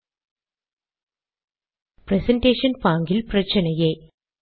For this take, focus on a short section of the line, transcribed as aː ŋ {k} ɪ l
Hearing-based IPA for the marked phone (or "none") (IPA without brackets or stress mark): ɡ